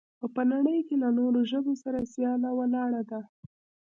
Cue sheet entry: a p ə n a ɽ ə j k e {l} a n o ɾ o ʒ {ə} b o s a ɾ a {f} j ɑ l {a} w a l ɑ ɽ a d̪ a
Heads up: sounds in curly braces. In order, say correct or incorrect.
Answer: correct, correct, incorrect: s, correct

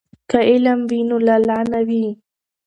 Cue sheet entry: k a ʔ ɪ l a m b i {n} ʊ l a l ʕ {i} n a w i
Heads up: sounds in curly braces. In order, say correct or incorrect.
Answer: correct, incorrect: a

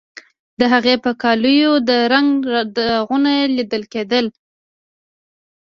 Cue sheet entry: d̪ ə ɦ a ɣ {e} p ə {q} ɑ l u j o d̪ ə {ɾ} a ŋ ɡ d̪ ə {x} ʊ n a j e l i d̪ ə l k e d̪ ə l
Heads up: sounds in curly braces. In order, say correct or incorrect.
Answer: correct, incorrect: k, correct, incorrect: ɣ

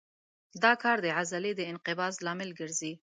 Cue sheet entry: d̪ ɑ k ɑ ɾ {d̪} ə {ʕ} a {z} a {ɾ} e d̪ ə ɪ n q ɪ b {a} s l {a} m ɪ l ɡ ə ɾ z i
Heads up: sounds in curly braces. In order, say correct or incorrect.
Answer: correct, correct, correct, incorrect: l, incorrect: ɑ, incorrect: ɑ

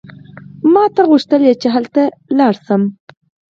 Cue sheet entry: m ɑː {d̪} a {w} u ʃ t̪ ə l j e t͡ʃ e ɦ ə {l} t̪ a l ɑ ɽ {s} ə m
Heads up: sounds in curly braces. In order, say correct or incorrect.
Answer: incorrect: t̪, incorrect: ɣ, correct, correct

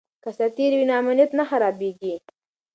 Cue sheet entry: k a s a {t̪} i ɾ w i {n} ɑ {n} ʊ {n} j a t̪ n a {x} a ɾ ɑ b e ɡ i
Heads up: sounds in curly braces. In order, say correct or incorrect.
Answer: correct, correct, incorrect: m, correct, correct

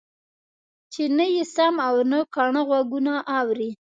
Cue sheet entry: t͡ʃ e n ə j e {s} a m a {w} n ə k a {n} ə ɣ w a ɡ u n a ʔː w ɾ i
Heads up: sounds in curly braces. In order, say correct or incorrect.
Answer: correct, correct, incorrect: ɳ

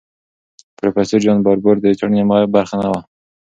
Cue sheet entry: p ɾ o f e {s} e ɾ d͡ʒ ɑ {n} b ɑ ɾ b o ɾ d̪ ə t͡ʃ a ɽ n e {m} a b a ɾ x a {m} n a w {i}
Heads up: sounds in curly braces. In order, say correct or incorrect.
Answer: correct, correct, correct, incorrect: none, incorrect: a

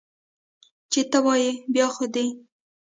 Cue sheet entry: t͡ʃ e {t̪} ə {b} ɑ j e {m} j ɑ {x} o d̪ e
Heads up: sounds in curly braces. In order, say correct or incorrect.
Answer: correct, incorrect: w, incorrect: b, correct

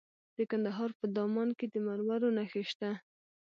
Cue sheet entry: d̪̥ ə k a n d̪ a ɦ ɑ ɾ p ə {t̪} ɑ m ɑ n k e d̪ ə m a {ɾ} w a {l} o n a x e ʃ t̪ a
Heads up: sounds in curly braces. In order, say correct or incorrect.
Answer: incorrect: d̪, correct, incorrect: ɾ

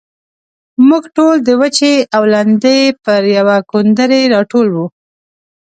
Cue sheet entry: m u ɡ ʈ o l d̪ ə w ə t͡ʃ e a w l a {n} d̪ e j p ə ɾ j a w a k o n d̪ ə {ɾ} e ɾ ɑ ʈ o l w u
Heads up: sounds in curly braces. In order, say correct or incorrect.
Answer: correct, correct

